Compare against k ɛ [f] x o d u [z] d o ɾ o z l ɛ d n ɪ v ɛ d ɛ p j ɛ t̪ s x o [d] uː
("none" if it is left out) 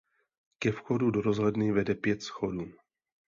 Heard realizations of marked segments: f, none, d

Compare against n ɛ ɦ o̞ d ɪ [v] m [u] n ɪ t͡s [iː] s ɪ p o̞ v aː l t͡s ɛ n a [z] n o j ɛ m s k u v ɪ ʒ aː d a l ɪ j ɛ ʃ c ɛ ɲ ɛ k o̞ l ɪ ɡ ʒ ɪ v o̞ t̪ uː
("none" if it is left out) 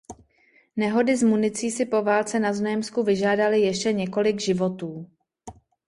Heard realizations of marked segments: z, u, iː, z

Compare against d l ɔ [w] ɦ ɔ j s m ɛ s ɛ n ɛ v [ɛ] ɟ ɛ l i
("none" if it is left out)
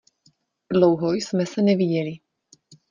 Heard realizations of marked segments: w, i

